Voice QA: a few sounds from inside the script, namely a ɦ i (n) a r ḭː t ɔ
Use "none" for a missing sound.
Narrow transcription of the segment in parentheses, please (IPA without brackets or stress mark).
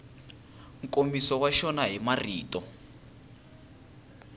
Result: m